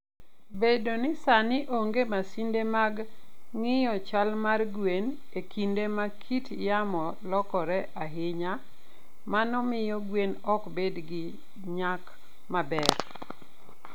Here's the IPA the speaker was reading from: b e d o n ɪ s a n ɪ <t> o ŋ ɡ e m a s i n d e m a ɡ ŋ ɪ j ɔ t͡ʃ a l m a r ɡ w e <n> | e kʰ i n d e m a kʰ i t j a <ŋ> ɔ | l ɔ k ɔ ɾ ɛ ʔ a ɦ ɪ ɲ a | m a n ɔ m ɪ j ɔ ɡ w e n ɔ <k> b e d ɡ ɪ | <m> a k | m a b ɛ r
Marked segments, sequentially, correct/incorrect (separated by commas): incorrect, correct, incorrect, correct, incorrect